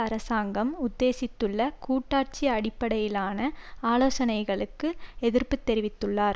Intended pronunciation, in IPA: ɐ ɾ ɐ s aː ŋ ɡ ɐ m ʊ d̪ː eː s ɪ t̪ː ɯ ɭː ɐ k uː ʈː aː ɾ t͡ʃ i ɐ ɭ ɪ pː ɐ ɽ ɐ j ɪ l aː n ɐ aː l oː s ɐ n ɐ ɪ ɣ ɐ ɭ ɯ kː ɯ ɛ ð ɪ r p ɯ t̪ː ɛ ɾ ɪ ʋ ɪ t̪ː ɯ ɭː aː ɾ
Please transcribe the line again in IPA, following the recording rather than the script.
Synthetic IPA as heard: ɐ ɾ ɐ s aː ŋ ɡ ɐ m ʊ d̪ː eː s ɪ t̪ː ɯ ɭː ɐ k uː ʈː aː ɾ t͡ʃ i ɐ ɽ ɪ pː ɐ ɽ ɐ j ɪ l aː n ɐ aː l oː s ɐ n ɐ ɪ ɣ ɐ ɭ ɯ kː ɯ ɛ ð ɪ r p ɯ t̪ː ɛ ɾ ɪ ʋ ɪ t̪ː ɯ ɭː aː ɾ